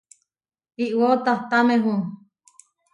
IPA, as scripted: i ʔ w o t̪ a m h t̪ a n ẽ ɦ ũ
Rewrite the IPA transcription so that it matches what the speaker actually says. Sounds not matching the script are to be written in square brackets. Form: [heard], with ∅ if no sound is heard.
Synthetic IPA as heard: i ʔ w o t̪ a [∅] h t̪ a [m] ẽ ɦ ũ